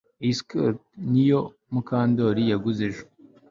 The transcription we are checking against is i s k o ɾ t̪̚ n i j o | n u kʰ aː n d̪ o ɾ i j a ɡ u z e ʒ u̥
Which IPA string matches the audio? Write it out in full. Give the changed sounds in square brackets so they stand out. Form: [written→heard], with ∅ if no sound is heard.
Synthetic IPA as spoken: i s k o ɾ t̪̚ n i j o | [n→m] u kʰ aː n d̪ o ɾ i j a ɡ u z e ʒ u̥